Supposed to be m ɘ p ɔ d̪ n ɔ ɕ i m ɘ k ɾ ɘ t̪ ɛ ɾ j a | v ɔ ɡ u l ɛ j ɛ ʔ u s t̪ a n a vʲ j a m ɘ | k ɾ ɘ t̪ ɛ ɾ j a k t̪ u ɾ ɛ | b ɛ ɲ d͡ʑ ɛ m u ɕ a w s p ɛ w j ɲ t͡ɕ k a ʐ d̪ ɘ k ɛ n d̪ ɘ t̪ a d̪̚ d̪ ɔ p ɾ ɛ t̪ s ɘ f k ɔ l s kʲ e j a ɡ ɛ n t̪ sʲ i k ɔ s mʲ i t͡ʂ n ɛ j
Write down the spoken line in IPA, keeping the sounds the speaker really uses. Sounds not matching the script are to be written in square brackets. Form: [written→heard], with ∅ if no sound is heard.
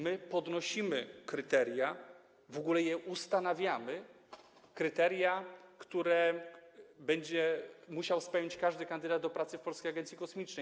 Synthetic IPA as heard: m ɘ p ɔ d̪ n ɔ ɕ i m ɘ k ɾ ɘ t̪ ɛ ɾ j a | v ɔ ɡ u l ɛ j ɛ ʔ u s t̪ a n a vʲ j a m ɘ | k ɾ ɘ t̪ ɛ ɾ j a k t̪ u ɾ ɛ | b ɛ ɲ d͡ʑ ɛ m u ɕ a w s p ɛ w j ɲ t͡ɕ k a ʐ d̪ ɘ k [ɛ→a] n d̪ ɘ [t̪→d̪] a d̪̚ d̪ ɔ p ɾ [ɛ→a] t̪ s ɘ f [k→p] ɔ l s kʲ e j a ɡ ɛ n t̪ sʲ i k ɔ s mʲ i t͡ʂ n ɛ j

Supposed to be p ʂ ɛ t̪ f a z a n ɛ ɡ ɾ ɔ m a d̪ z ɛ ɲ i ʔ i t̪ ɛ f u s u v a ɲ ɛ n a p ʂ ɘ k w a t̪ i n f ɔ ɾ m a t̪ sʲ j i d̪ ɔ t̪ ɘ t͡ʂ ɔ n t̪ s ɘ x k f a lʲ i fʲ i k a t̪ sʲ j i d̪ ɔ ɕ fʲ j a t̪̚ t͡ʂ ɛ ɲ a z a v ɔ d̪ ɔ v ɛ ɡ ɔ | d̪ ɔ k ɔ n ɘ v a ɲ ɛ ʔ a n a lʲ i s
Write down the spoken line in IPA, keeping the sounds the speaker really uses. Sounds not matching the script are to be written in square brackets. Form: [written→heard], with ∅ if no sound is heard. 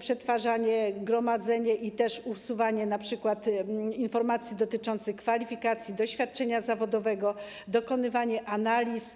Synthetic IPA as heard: p ʂ ɛ t̪ f a [z→ʐ] a [n→ɲ] ɛ ɡ ɾ ɔ m a d̪ z ɛ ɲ [i→ɛ] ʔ i t̪ ɛ [f→ʂ] u s u v a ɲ ɛ n a p ʂ ɘ k w a t̪ i n f ɔ ɾ m a t̪ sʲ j i d̪ ɔ t̪ ɘ t͡ʂ ɔ n t̪ s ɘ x k f a lʲ i fʲ i k a t̪ sʲ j i d̪ ɔ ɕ fʲ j a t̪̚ t͡ʂ ɛ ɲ a z a v ɔ d̪ ɔ v ɛ ɡ ɔ | d̪ ɔ k ɔ n ɘ v a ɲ ɛ ʔ a n a lʲ i s

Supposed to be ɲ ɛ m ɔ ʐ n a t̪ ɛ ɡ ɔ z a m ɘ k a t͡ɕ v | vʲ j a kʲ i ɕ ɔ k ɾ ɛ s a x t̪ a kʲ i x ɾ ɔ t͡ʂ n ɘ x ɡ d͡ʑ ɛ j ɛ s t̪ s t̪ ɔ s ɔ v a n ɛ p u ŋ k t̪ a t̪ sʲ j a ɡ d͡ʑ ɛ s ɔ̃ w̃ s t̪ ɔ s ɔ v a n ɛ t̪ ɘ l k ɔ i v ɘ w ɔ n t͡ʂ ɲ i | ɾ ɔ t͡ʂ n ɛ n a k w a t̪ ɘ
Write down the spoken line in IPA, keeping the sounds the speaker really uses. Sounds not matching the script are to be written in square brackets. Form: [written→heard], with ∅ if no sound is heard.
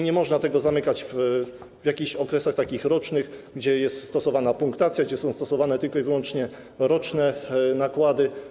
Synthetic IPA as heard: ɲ ɛ m ɔ ʐ n a t̪ ɛ ɡ ɔ z a m ɘ k a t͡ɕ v | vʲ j a kʲ i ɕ ɔ k ɾ ɛ s a x t̪ a kʲ i x ɾ ɔ t͡ʂ n ɘ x ɡ d͡ʑ ɛ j ɛ s t̪ s t̪ ɔ s ɔ v a n [ɛ→a] p u ŋ k t̪ a t̪ sʲ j a ɡ d͡ʑ ɛ s ɔ̃ w̃ s t̪ ɔ s ɔ v a n ɛ t̪ ɘ l k ɔ i v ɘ w ɔ n t͡ʂ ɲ [i→ɛ] | ɾ ɔ t͡ʂ n ɛ n a k w a [t̪→d̪] ɘ

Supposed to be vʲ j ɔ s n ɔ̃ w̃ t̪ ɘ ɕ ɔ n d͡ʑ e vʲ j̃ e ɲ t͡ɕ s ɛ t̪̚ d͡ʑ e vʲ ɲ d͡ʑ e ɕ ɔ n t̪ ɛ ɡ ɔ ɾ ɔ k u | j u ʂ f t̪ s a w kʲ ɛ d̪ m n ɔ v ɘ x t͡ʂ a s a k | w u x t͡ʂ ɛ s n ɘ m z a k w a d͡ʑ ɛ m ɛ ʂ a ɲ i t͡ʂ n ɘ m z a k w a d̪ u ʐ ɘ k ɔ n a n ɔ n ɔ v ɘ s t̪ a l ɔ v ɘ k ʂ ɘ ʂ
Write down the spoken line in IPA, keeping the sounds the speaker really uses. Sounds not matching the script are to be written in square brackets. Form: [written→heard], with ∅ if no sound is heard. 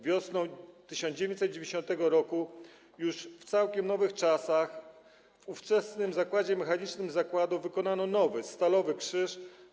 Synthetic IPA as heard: vʲ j ɔ s n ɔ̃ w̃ t̪ ɘ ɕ ɔ n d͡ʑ e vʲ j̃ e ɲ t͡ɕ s ɛ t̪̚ d͡ʑ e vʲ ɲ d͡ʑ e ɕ ɔ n t̪ ɛ ɡ ɔ ɾ ɔ k u | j u ʂ f t̪ s a w kʲ ɛ [d̪→∅] m n ɔ v ɘ x t͡ʂ a s a [k→x] | [w→v] u [x→f] t͡ʂ ɛ s n ɘ m z a k w a d͡ʑ ɛ m ɛ [ʂ→x] a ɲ i t͡ʂ n ɘ m z a k w a d̪ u [ʐ→v] ɘ k ɔ n a n ɔ n ɔ v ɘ s t̪ a l ɔ v ɘ k ʂ ɘ ʂ

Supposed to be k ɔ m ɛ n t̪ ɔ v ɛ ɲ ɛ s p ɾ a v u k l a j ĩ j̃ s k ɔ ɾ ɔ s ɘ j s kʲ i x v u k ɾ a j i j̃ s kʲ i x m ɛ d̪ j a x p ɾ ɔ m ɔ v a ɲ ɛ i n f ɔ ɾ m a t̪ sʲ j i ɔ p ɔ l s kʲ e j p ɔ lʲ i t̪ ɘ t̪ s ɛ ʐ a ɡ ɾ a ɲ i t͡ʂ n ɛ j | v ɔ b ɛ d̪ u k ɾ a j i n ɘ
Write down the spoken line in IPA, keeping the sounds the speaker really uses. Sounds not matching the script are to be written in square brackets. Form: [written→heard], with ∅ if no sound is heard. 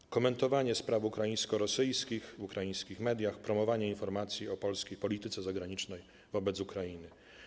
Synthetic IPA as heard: k ɔ m ɛ n t̪ ɔ v [ɛ→a] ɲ ɛ s p ɾ a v u k [l→ɾ] a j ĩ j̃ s k ɔ ɾ ɔ s ɘ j s kʲ i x v u k ɾ a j i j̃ s kʲ i x m ɛ d̪ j a x p ɾ ɔ m ɔ v a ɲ ɛ i n f ɔ ɾ m a t̪ sʲ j i ɔ p ɔ l s kʲ e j p ɔ lʲ i t̪ ɘ t̪ s ɛ [ʐ→z] a ɡ ɾ a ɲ i t͡ʂ n ɛ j | v ɔ b ɛ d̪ u k ɾ a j i n ɘ

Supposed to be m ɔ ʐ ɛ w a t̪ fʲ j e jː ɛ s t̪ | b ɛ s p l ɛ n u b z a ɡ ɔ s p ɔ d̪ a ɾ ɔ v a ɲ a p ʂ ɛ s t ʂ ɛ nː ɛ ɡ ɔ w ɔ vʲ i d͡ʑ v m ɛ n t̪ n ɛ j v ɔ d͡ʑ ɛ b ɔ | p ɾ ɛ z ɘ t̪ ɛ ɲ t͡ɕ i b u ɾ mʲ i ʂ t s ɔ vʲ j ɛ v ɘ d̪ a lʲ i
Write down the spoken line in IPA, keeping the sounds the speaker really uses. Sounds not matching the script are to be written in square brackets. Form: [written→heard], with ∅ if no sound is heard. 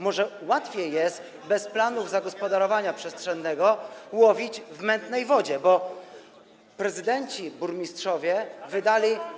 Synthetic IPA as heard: m ɔ ʐ ɛ w a t̪ fʲ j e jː ɛ s t̪ | b ɛ s p l [ɛ→a] n u [b→v] z a ɡ ɔ s p ɔ d̪ a ɾ ɔ v a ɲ a p ʂ ɛ s t ʂ ɛ nː ɛ ɡ ɔ w ɔ vʲ i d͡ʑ v m ɛ n t̪ n ɛ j v ɔ d͡ʑ ɛ b ɔ | p ɾ ɛ z ɘ [t̪→d̪] ɛ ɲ t͡ɕ i b u ɾ mʲ i [ʂ→s] t [s→ʂ] ɔ vʲ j ɛ v ɘ d̪ a lʲ i

